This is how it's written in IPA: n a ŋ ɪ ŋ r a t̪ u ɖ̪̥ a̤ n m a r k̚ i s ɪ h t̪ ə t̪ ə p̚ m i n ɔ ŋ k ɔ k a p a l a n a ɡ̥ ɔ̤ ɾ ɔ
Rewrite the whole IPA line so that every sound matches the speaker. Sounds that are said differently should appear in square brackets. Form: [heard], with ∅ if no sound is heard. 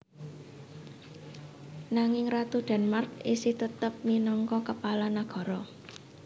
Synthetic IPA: n a ŋ ɪ ŋ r a t̪ u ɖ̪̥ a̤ n m a r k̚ i s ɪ h t̪ ə t̪ ə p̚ m i n ɔ ŋ k ɔ k [ə] p a l a n a ɡ̥ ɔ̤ ɾ ɔ